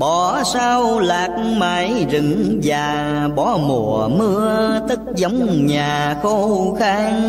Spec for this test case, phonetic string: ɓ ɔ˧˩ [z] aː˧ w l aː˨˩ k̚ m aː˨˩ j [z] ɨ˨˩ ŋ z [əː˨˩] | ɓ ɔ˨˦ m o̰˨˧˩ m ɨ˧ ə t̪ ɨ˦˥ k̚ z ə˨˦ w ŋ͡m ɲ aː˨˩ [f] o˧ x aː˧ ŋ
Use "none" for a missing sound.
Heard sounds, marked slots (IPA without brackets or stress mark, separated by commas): s, z, aː˨˩, x